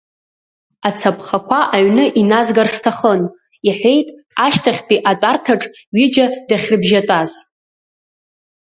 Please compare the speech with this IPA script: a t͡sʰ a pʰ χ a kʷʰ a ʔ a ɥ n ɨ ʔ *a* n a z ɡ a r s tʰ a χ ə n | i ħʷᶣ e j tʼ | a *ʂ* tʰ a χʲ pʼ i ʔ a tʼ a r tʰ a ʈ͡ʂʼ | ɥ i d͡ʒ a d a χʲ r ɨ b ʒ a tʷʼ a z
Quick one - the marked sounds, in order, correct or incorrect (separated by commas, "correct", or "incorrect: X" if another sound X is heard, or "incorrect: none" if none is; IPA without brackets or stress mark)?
incorrect: i, incorrect: ʃ